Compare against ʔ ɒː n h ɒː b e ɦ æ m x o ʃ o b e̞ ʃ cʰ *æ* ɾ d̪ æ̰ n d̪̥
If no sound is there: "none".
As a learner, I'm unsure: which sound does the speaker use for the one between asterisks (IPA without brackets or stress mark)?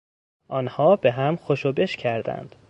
æ